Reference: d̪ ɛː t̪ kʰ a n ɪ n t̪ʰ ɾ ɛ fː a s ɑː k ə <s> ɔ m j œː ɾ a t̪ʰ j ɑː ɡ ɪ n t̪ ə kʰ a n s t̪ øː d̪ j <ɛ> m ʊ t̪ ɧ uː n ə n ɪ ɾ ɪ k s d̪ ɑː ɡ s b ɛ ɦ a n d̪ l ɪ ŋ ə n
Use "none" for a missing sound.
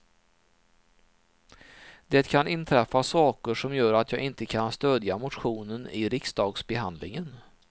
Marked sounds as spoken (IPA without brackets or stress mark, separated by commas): ʂ, a